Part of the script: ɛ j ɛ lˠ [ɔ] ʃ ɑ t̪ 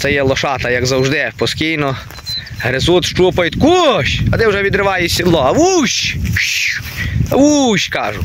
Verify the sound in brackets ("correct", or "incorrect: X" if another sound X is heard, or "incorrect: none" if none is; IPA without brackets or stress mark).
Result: correct